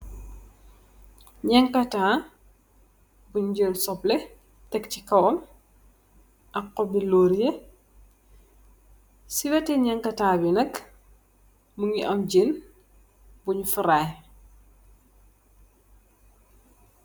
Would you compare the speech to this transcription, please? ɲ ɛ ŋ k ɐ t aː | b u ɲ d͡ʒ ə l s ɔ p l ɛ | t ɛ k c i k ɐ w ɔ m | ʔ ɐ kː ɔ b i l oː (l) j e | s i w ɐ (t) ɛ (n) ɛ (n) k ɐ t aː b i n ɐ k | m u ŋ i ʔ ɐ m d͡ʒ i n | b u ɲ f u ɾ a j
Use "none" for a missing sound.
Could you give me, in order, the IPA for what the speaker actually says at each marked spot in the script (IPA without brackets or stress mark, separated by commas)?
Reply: ɾ, t, ɲ, ŋ